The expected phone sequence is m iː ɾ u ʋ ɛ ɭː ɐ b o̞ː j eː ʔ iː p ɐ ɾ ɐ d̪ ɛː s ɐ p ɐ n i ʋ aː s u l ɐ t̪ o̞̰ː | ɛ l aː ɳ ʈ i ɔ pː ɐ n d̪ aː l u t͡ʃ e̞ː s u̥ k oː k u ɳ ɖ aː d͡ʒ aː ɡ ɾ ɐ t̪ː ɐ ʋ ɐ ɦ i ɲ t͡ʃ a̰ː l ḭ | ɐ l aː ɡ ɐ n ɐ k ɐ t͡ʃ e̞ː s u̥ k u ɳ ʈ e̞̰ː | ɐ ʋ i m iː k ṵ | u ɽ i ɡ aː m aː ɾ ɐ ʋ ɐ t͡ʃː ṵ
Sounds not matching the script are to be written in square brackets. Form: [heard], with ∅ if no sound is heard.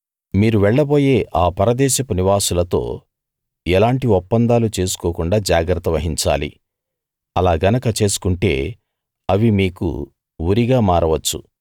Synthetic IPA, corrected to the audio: m iː ɾ u ʋ ɛ ɭː ɐ b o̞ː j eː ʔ [aː] p ɐ ɾ ɐ d̪ ɛː [ʃ] ɐ p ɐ n i ʋ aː s u l ɐ t̪ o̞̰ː | ɛ l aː ɳ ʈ i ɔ pː ɐ n d̪ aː l u t͡ʃ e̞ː s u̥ k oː k u ɳ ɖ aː d͡ʒ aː ɡ ɾ ɐ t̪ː ɐ ʋ ɐ ɦ i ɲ t͡ʃ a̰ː l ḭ | ɐ l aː ɡ ɐ n ɐ k ɐ t͡ʃ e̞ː s u̥ k u ɳ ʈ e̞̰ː | ɐ ʋ i m iː k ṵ | u [ɾ] i ɡ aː m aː ɾ ɐ ʋ ɐ t͡ʃː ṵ